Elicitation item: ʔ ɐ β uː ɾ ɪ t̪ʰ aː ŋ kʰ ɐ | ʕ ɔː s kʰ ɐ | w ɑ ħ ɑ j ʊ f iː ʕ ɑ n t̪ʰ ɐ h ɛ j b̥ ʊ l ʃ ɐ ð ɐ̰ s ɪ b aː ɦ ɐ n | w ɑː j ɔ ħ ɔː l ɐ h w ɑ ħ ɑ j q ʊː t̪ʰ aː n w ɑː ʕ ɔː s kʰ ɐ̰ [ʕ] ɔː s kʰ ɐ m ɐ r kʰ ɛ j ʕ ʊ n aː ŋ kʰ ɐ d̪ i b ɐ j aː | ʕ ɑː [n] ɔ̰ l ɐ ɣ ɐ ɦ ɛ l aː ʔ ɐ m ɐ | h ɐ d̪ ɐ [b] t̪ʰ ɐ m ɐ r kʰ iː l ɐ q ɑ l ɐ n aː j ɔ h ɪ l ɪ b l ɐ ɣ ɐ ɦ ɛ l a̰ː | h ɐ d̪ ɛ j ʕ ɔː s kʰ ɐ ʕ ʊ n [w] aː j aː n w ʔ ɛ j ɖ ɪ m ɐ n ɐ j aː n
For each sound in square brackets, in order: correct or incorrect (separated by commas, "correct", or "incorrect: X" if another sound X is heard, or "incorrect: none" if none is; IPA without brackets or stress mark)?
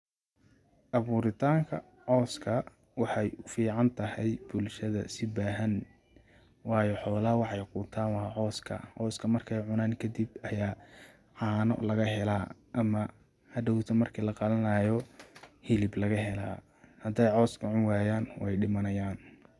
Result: correct, correct, incorrect: w, correct